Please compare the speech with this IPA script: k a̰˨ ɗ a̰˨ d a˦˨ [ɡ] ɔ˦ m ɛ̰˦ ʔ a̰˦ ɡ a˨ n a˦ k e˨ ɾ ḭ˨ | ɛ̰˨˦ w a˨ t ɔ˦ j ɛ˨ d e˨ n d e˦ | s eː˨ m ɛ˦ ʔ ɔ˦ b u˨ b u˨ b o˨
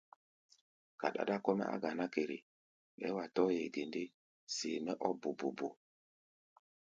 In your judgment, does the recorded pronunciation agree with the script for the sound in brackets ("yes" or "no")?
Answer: no